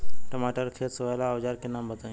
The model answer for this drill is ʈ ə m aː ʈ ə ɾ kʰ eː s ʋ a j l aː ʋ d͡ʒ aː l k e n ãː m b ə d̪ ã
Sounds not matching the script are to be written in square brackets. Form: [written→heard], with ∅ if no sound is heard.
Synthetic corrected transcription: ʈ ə m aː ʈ ə ɾ kʰ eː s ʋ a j l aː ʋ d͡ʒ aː [l→ɾ] k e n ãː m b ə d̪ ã